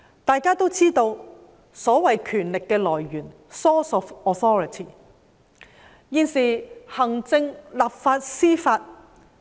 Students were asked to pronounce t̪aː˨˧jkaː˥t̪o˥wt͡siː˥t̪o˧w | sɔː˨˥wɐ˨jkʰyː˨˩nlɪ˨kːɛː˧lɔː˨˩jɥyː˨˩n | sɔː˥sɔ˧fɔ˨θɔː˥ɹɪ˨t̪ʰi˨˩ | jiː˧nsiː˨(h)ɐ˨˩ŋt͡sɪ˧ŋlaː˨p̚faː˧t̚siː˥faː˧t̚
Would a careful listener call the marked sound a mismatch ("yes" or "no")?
no